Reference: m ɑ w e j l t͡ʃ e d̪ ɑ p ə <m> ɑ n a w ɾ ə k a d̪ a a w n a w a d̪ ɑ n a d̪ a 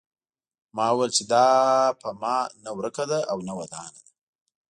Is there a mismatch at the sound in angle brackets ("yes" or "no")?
no